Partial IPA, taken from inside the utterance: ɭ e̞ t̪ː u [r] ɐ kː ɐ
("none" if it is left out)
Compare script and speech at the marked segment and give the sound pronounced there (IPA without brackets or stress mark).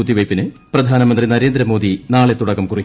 ɽ